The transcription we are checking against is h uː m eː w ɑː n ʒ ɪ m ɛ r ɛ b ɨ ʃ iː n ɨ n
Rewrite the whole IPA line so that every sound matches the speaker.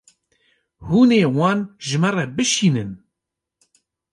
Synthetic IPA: h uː n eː w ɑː n ʒ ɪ m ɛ r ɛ b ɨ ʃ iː n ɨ n